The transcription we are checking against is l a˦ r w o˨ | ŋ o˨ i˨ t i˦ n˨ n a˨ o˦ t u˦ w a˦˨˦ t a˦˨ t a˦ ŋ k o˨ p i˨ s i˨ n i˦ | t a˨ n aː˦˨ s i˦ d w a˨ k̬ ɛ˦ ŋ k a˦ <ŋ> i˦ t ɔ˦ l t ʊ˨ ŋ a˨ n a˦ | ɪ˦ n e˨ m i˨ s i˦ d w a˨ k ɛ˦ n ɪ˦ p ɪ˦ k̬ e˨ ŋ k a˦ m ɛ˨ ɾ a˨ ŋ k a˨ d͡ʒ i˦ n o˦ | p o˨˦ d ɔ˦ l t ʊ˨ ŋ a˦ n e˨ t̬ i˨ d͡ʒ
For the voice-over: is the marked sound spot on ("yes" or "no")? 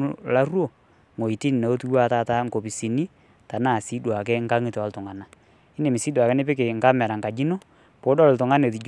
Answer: yes